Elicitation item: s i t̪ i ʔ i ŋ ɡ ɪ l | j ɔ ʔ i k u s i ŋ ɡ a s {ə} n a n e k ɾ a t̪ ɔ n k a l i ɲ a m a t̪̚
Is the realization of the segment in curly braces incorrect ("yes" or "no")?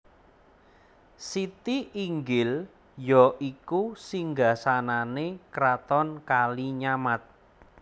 yes